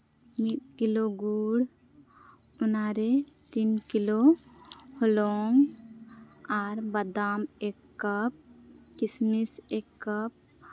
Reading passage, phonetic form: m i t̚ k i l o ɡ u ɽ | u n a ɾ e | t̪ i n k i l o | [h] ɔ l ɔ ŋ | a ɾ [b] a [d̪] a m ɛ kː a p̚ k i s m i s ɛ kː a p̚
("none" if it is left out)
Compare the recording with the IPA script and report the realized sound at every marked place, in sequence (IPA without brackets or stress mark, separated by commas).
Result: h, b, d̪